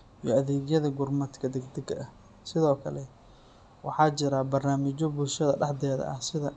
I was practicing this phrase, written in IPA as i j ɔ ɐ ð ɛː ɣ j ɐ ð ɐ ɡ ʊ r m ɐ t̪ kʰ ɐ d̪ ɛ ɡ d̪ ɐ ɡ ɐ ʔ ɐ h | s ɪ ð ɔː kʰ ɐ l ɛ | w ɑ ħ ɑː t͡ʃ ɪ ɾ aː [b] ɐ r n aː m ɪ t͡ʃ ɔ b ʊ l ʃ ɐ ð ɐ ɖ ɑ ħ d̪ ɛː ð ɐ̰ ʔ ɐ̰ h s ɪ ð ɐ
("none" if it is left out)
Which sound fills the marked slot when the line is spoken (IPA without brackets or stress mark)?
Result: b